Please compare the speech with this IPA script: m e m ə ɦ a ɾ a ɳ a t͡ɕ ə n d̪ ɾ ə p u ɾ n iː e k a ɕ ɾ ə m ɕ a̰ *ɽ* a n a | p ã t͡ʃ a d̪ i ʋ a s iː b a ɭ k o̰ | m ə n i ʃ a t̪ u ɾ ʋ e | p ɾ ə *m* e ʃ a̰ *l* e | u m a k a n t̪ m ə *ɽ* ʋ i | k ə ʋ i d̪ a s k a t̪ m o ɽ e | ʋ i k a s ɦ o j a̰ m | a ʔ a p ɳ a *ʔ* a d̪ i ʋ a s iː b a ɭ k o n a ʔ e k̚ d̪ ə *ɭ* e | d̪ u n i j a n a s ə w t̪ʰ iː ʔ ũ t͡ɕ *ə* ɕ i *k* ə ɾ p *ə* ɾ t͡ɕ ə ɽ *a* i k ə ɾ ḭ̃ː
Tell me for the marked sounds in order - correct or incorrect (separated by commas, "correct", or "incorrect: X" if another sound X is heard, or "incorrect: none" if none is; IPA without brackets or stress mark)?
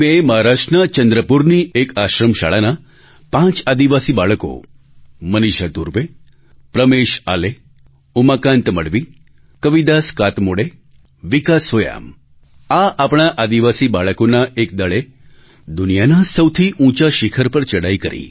incorrect: ɭ, correct, correct, correct, correct, correct, incorrect: a, incorrect: kʰ, correct, correct